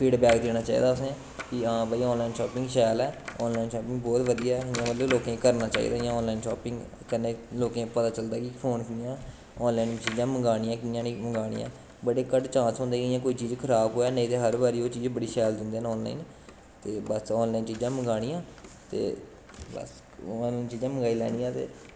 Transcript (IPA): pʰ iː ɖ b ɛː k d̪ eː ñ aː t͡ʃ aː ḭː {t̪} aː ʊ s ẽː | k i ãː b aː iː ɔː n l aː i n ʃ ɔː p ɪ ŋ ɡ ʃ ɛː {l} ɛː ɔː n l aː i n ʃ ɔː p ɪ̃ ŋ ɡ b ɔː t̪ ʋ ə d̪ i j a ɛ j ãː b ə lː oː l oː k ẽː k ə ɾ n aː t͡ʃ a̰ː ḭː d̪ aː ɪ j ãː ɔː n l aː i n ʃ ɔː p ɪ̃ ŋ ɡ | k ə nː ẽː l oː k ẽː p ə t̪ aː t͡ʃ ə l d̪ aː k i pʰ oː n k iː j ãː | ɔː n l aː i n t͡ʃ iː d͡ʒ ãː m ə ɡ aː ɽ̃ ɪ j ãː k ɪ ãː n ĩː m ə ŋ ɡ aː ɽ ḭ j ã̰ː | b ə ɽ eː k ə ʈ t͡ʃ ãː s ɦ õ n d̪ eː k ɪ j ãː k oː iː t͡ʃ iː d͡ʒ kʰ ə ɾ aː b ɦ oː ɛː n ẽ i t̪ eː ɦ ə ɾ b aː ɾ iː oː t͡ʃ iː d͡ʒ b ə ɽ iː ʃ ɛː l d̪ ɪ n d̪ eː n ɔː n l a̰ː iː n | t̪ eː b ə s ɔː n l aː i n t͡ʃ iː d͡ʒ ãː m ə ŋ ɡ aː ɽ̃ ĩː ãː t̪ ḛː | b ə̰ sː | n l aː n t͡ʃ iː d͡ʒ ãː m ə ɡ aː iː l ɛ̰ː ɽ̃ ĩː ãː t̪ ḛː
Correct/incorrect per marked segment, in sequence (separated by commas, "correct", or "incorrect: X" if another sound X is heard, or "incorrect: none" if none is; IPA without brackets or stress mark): incorrect: d̪, correct